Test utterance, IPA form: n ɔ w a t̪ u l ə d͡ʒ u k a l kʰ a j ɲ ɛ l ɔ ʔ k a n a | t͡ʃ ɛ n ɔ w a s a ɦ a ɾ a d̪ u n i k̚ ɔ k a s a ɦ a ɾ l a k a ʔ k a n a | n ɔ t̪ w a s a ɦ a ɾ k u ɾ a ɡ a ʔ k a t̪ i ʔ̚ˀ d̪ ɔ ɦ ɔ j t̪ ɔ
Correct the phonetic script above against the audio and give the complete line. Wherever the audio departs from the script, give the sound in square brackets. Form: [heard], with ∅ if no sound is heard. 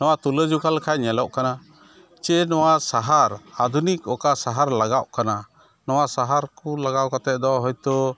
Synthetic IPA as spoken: n ɔ w a t̪ u l ə d͡ʒ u k a l kʰ a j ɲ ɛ l ɔ ʔ k a n a | t͡ʃ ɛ n ɔ w a s a ɦ a ɾ a d̪ u n i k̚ ɔ k a s a ɦ a ɾ l a [ɡ] a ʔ k a n a | n ɔ [∅] w a s a ɦ a ɾ k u [l] a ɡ a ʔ k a t̪ [ɛ] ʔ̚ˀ d̪ ɔ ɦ ɔ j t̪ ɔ

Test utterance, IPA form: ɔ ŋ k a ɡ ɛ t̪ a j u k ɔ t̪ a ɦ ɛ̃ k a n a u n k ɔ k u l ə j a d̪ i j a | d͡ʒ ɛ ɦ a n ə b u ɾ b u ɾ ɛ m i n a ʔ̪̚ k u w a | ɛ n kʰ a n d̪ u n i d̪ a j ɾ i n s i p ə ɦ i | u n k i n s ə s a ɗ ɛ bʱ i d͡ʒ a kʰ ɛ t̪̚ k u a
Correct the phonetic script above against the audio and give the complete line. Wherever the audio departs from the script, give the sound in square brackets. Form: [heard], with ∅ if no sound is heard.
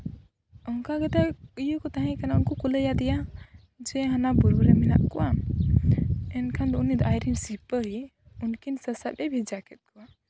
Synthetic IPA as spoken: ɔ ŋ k a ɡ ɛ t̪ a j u k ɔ t̪ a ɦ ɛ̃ k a n a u n k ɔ k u l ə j a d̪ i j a | d͡ʒ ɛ ɦ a n [a] b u ɾ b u ɾ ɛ m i n a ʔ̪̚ k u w a | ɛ n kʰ a n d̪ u n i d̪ a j ɾ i n s i p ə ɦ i | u n k i n s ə s a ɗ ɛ bʱ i d͡ʒ a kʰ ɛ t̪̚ k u a

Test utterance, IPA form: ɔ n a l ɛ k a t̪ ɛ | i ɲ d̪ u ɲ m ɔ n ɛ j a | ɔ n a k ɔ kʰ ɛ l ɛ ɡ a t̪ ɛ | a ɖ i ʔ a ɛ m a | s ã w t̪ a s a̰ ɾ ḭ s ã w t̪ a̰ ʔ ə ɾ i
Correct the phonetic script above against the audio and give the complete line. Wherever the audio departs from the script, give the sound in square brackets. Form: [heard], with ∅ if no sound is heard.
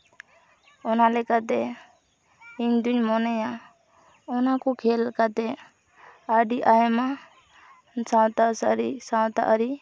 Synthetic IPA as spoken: ɔ n a l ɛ k a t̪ ɛ | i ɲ d̪ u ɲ m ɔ n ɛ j a | ɔ n a k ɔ kʰ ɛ l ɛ [k] a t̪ ɛ | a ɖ i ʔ a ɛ m a | s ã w t̪ a s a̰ ɾ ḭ s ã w t̪ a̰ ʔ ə ɾ i

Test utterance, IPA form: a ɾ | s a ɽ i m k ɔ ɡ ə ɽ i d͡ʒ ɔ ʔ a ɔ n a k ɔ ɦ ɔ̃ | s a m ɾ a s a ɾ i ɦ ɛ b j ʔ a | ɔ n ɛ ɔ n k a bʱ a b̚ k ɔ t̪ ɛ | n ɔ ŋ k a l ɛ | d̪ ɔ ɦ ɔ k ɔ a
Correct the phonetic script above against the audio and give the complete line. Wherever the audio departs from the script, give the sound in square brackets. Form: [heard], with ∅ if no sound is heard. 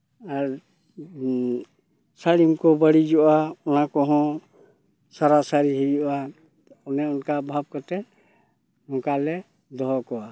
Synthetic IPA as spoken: a ɾ | s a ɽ i m k ɔ [b] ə ɽ i d͡ʒ ɔ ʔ a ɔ n a k ɔ ɦ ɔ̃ | s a [∅] ɾ a s a ɾ i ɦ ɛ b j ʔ a | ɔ n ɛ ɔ n k a bʱ a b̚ k ɔ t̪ ɛ | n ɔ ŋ k a l ɛ | d̪ ɔ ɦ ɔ k ɔ a

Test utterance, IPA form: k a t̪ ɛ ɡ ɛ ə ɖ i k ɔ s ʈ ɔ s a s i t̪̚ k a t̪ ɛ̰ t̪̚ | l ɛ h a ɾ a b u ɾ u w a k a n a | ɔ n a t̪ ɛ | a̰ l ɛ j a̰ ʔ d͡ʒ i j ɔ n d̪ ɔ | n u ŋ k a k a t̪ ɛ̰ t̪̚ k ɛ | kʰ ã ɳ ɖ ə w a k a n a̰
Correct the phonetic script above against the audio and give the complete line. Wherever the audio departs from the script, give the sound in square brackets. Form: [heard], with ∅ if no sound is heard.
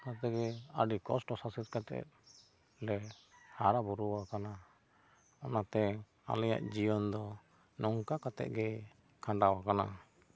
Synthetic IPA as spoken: k a t̪ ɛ ɡ ɛ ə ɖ i k ɔ s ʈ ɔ s a s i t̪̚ k a t̪ ɛ̰ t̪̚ | l ɛ h a ɾ a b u ɾ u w a k a n a | ɔ n a t̪ ɛ | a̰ l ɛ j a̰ ʔ d͡ʒ i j ɔ n d̪ ɔ | n [ɔ] ŋ k a k a t̪ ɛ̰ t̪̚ [ɡ] ɛ | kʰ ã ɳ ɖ [a] w a k a n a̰

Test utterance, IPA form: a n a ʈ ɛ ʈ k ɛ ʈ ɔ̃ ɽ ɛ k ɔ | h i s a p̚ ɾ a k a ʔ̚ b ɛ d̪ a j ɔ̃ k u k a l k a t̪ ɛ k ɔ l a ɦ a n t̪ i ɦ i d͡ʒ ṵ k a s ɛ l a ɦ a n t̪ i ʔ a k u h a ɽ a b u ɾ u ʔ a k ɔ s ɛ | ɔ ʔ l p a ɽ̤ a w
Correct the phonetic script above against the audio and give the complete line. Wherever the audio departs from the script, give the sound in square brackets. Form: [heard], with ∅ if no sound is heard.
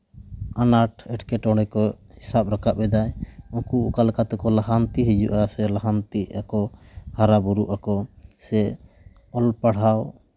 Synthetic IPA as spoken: a n a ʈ ɛ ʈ k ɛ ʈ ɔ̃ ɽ ɛ k ɔ | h i s a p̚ ɾ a k a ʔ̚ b ɛ d̪ a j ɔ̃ k u k a l k a t̪ ɛ k ɔ l a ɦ a n t̪ i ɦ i d͡ʒ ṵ [ʔ] a s ɛ l a ɦ a n t̪ i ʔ a k [ɔ] h a [ɾ] a b u ɾ u ʔ a k ɔ s ɛ | ɔ [∅] l p a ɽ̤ a w

